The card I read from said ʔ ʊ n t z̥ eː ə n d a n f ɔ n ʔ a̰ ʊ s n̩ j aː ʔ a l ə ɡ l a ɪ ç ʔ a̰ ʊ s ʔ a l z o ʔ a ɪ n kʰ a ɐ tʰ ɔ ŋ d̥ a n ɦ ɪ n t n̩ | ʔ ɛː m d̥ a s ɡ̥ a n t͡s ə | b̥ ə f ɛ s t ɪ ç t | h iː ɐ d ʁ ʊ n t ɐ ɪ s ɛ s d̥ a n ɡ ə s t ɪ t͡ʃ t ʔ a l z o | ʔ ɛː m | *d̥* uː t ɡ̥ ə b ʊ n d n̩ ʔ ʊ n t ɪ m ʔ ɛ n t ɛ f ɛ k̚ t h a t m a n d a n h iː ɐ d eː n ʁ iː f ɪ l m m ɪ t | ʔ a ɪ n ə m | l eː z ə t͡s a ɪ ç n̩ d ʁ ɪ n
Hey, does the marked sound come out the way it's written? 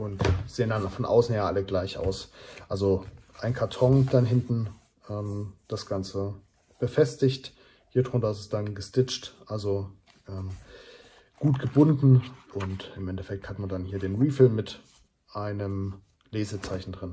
no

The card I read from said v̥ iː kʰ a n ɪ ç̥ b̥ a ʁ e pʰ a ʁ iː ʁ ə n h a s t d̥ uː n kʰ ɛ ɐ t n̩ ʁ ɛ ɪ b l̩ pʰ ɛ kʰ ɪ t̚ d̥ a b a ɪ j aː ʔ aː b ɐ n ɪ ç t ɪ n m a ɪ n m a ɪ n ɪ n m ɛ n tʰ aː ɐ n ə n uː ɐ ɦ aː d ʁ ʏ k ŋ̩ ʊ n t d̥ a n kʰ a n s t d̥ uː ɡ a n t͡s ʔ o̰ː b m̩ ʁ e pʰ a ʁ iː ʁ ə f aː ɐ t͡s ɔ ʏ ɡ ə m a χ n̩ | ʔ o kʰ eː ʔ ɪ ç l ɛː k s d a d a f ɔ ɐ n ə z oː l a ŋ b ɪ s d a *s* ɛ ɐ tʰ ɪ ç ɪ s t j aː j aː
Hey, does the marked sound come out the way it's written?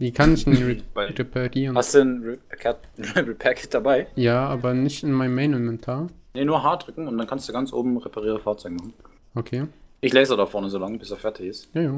no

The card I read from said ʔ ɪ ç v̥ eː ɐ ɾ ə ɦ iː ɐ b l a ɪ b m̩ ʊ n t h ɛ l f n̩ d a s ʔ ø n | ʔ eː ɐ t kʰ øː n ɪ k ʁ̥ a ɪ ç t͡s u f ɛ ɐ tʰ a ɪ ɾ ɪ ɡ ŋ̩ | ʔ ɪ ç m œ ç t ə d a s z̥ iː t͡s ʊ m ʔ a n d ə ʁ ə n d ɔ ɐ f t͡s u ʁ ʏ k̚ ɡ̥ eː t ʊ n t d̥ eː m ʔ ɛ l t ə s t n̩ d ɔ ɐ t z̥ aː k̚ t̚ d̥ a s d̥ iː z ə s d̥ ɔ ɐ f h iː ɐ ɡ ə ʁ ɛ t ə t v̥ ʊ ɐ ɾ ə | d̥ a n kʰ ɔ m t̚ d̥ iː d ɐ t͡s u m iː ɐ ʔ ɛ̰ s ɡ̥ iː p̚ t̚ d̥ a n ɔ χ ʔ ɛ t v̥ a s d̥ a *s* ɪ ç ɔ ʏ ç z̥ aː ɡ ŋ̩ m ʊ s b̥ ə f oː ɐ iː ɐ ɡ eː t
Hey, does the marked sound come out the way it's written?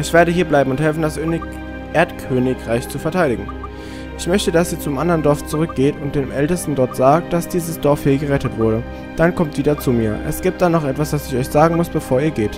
yes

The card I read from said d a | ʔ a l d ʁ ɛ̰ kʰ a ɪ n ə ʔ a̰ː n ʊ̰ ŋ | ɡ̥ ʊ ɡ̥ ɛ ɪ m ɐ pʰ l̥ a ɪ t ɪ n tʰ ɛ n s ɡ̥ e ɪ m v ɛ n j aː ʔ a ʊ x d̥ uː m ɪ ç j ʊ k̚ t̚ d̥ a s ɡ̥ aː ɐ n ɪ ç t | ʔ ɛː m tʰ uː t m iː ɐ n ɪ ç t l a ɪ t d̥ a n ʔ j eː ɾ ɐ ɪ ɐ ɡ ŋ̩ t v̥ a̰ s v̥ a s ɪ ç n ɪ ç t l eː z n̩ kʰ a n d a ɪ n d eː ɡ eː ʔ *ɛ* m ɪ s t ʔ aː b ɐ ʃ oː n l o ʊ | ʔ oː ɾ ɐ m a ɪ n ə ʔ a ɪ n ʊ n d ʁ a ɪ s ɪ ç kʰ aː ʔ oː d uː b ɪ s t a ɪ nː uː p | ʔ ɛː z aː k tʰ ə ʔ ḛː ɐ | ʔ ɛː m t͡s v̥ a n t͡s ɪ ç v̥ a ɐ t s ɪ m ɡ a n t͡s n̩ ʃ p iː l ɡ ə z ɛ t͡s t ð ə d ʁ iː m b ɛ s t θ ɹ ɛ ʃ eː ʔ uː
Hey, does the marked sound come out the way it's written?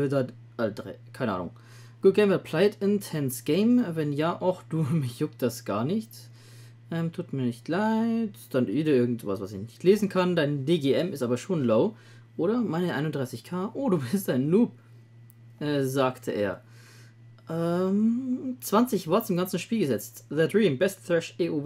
yes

